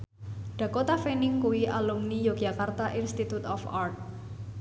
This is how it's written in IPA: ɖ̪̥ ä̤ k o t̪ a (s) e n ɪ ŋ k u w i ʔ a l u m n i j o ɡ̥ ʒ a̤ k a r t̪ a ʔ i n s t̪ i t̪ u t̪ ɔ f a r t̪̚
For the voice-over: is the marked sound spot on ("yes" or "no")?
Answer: no